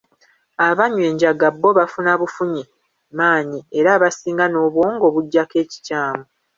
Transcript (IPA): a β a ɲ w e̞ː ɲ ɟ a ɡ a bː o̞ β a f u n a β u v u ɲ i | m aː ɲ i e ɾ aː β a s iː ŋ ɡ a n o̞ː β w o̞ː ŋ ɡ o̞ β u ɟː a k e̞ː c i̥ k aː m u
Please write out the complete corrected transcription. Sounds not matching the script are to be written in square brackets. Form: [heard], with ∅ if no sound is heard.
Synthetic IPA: a β a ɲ w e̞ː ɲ ɟ a ɡ a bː o̞ β a f u n a β u [f] u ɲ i | m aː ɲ i e ɾ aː β a s iː ŋ ɡ a n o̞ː β w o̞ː ŋ ɡ o̞ β u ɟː a k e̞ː c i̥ [c] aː m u